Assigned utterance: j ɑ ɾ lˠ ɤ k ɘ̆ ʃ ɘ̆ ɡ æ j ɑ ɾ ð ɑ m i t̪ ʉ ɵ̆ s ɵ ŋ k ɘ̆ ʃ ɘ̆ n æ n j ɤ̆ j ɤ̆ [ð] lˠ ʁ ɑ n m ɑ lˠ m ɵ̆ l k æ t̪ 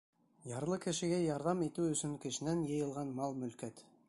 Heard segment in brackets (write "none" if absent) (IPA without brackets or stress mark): none